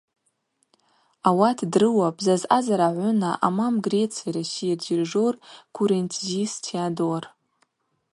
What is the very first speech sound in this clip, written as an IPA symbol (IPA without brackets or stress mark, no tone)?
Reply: a